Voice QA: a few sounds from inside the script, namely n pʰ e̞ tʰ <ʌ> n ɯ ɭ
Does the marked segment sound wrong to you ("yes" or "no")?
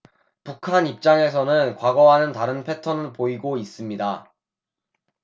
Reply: no